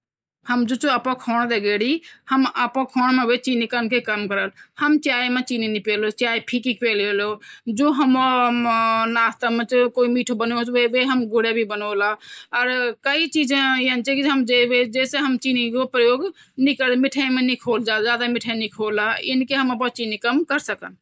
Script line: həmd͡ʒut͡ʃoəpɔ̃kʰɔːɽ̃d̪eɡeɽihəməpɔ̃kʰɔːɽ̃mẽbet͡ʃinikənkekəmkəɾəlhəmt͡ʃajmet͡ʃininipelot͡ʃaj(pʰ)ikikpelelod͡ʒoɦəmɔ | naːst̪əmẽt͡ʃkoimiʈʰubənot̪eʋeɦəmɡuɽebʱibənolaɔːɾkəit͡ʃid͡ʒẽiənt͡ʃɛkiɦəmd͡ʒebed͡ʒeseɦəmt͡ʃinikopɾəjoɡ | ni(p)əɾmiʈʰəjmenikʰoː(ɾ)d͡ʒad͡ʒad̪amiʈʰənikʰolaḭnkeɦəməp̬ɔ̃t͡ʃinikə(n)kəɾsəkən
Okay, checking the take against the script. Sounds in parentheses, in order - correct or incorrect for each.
correct, incorrect, incorrect, incorrect

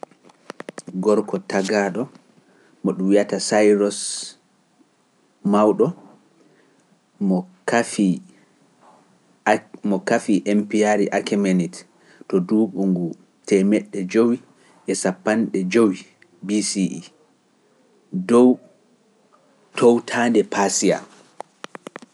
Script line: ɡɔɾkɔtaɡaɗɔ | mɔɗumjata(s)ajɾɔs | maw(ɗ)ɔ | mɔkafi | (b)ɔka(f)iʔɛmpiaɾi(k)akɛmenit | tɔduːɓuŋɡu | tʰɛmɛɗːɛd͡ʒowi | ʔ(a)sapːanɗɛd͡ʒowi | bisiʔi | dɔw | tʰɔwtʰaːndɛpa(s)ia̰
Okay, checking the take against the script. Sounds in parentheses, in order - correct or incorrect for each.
correct, correct, incorrect, correct, incorrect, incorrect, correct

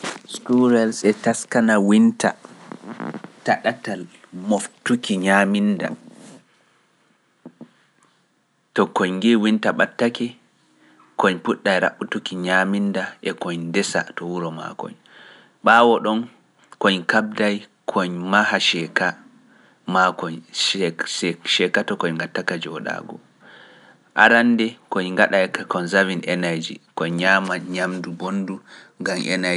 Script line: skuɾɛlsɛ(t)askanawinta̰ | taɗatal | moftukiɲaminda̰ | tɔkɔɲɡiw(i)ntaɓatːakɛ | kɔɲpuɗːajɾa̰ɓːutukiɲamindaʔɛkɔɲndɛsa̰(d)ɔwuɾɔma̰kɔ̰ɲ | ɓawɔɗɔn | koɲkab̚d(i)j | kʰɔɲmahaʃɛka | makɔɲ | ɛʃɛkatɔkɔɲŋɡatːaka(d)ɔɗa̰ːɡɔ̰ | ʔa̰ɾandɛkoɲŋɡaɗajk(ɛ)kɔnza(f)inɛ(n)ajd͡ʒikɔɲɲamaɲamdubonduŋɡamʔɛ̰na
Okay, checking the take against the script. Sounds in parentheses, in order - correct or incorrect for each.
correct, correct, incorrect, incorrect, incorrect, incorrect, incorrect, correct

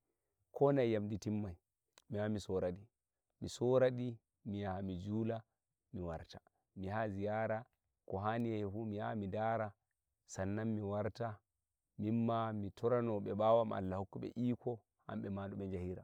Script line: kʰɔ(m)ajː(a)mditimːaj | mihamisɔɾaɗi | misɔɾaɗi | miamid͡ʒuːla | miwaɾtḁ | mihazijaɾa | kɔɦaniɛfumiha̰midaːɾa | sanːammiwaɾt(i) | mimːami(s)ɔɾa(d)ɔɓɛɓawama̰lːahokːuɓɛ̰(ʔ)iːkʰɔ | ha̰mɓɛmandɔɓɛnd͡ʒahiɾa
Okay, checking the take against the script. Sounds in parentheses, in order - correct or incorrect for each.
incorrect, correct, incorrect, incorrect, incorrect, correct

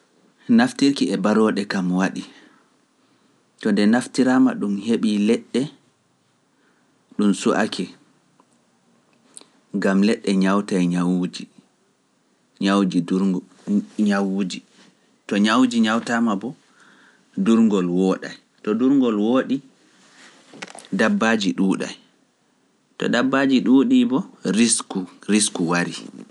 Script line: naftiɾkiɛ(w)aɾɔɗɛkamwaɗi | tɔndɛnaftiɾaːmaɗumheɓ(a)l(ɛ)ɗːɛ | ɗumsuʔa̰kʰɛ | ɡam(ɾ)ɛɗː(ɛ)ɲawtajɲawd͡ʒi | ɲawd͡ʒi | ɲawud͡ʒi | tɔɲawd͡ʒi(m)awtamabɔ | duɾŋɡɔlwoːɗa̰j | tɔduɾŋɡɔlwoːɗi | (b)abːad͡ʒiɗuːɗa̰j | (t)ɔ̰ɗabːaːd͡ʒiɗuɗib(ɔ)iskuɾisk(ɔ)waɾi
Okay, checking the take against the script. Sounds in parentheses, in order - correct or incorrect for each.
incorrect, incorrect, correct, incorrect, correct, incorrect, incorrect, correct, correct, incorrect

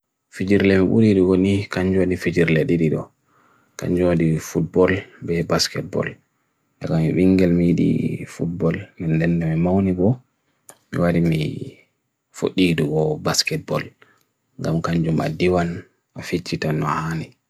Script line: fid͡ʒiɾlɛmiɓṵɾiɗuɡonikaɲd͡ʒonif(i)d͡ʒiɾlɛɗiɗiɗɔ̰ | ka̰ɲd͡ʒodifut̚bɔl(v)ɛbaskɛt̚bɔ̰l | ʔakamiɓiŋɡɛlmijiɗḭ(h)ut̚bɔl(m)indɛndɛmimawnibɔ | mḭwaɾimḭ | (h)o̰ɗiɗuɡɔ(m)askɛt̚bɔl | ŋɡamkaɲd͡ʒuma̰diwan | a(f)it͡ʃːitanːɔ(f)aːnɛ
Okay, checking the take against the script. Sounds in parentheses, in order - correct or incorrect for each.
correct, incorrect, incorrect, correct, incorrect, incorrect, correct, incorrect

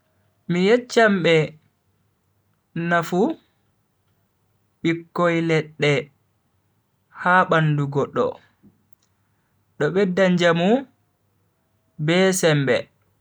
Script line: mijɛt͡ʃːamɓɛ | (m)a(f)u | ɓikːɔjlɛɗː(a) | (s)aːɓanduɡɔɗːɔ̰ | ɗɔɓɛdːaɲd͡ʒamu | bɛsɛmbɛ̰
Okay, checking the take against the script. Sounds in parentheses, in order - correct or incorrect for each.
incorrect, correct, incorrect, incorrect

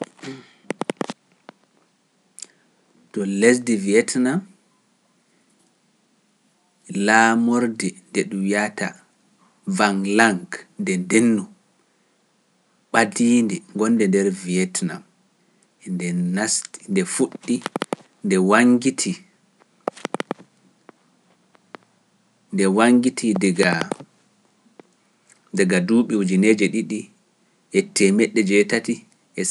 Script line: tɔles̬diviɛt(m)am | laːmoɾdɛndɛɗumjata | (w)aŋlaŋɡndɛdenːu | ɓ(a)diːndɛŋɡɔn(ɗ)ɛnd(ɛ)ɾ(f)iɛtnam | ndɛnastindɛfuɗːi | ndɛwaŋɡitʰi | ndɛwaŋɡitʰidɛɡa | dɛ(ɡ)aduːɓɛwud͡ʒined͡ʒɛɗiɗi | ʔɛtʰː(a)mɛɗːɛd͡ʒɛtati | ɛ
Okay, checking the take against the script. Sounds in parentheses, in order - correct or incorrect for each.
incorrect, incorrect, correct, incorrect, correct, incorrect, correct, incorrect

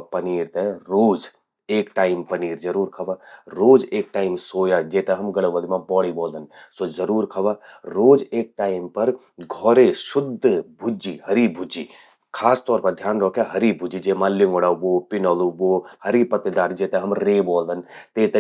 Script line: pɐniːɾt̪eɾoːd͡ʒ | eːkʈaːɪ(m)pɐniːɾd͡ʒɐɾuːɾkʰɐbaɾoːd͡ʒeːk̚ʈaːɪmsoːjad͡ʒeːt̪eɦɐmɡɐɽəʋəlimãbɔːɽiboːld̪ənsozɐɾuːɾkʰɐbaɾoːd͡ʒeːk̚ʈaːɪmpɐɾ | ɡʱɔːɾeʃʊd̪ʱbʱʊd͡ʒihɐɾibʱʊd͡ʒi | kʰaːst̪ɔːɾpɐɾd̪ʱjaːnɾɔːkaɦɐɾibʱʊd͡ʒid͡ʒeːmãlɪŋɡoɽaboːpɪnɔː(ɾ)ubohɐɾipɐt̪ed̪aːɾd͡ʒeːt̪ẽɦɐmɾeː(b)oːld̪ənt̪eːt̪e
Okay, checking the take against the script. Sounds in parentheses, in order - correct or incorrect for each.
correct, incorrect, correct

